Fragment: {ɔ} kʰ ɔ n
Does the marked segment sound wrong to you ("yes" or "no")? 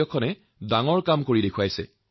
no